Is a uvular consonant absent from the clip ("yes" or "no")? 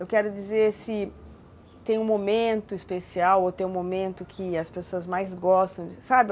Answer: yes